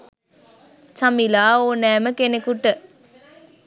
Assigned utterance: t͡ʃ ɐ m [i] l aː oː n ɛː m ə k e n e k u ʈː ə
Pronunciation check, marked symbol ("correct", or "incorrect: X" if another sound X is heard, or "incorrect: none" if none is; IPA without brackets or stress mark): correct